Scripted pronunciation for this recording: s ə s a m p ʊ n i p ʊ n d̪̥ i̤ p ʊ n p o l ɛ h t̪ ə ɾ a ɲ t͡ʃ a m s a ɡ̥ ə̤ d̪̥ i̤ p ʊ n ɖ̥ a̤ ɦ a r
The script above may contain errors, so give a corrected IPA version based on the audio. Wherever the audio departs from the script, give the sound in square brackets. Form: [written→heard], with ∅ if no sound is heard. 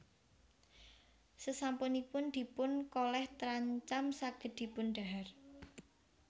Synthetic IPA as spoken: s ə s a m p ʊ n i p ʊ n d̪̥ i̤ p ʊ n [p→k] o l ɛ h t̪ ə ɾ a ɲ t͡ʃ a m s a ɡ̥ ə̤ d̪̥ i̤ p ʊ n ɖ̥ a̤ ɦ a r